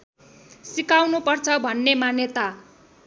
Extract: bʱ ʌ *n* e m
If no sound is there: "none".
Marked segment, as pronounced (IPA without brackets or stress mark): nː